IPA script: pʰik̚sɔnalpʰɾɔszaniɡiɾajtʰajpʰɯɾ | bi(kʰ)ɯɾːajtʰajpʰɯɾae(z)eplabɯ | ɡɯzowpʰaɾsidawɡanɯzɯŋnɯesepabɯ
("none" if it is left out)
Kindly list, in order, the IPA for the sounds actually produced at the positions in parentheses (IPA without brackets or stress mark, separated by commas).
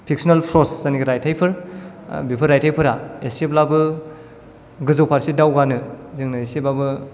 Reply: pʰ, s